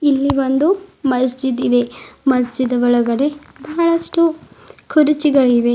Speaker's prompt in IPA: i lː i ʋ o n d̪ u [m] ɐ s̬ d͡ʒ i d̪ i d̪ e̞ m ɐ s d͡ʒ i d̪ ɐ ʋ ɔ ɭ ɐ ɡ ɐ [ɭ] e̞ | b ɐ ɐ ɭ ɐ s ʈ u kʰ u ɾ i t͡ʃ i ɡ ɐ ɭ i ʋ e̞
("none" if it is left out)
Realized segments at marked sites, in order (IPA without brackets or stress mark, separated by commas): m, ɽ